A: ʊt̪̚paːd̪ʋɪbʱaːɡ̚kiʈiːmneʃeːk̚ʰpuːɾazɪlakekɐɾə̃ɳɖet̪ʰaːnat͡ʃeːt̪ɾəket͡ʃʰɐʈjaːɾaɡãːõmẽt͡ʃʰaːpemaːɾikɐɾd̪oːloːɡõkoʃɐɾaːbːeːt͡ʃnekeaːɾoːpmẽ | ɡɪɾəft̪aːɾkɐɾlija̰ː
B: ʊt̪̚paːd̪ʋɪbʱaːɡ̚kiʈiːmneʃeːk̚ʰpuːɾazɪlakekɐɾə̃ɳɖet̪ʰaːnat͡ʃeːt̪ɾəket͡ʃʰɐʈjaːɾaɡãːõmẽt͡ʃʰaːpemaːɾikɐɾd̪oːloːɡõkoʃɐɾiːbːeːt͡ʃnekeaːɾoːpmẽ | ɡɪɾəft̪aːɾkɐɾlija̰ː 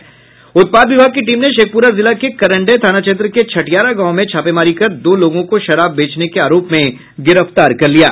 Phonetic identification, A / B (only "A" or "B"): A